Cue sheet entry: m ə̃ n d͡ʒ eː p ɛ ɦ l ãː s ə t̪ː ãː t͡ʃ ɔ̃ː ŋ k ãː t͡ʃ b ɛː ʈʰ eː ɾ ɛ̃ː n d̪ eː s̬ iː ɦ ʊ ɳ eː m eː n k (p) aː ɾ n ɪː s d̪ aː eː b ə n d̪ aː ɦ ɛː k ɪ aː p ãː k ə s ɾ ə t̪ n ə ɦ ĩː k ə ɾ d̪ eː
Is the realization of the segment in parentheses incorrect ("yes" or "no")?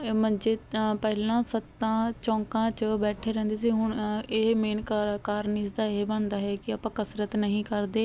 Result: yes